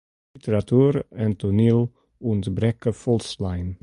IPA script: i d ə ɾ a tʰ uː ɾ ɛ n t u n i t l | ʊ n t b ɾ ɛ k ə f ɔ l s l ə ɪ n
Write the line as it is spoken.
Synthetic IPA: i t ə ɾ a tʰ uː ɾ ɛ n t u n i l | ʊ n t b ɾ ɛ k ə f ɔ l s l a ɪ n